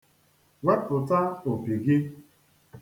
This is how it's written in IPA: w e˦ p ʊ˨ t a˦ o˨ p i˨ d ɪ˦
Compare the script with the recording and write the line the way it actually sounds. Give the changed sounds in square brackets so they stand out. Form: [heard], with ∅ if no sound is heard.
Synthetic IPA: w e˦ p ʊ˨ t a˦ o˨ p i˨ [ɡ] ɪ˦